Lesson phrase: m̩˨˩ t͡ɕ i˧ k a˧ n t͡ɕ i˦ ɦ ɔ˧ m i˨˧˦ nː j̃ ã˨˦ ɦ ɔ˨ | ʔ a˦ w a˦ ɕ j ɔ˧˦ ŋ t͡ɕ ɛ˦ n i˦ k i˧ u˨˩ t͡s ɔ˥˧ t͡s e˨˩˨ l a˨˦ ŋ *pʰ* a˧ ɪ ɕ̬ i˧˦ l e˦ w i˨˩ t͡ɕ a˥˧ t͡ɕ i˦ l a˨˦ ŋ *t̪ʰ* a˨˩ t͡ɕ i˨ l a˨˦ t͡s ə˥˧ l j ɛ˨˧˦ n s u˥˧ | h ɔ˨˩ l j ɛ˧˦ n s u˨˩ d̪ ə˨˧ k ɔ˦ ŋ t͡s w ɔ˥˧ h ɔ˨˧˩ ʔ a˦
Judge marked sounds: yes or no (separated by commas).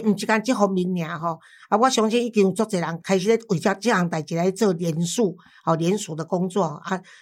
no, no